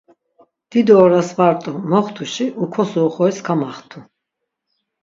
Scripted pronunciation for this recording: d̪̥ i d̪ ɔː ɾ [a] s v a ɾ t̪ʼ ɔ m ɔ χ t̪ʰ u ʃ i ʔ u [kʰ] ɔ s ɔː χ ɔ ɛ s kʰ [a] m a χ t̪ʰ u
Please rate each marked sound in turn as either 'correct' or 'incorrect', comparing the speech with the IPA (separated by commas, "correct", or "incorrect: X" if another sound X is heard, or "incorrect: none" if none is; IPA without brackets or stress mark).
correct, correct, correct